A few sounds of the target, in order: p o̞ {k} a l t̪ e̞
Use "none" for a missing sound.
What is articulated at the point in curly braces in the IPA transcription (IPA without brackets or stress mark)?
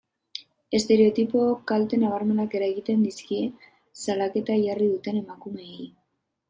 k